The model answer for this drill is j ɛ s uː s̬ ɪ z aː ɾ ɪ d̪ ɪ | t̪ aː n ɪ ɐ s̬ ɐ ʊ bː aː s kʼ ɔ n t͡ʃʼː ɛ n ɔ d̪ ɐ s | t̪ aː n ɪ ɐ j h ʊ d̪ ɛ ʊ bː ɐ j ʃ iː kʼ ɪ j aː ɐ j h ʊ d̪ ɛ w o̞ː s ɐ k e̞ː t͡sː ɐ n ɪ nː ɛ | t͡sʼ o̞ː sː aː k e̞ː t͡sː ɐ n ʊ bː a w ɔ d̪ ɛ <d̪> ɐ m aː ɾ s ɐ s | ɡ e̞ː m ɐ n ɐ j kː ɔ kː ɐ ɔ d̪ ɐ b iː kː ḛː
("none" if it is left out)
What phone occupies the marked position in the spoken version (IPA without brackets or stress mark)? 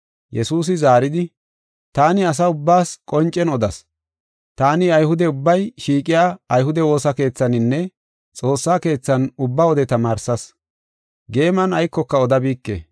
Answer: t̪